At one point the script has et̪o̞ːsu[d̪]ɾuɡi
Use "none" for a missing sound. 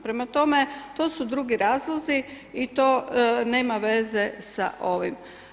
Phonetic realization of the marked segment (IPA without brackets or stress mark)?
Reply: d̪